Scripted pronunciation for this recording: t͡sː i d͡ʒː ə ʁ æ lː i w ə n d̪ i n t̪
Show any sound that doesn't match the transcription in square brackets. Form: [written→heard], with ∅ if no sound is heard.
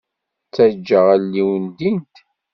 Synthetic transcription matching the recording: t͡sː [i→æ] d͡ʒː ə ʁ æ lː i w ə n d̪ i n t̪